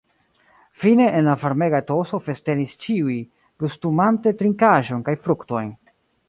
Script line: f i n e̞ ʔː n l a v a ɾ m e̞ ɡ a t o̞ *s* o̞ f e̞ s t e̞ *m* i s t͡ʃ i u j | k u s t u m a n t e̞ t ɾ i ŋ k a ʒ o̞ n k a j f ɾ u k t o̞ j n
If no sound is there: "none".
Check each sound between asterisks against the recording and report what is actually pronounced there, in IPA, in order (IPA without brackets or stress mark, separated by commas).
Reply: s, n